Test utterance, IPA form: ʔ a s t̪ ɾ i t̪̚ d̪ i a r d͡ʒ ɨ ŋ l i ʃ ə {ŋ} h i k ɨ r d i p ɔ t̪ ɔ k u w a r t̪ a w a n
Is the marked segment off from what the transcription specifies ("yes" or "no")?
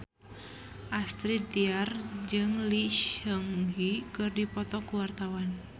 no